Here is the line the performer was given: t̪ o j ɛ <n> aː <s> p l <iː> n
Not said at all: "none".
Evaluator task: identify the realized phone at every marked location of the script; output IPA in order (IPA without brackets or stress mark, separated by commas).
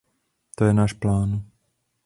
n, ʃ, aː